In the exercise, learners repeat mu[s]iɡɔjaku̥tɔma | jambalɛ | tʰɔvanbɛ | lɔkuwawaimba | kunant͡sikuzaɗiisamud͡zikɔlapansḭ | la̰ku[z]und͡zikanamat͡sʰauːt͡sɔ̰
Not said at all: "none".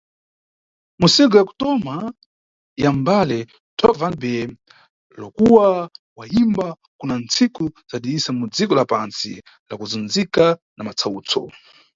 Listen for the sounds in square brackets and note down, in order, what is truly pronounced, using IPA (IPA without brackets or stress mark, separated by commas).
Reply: s, z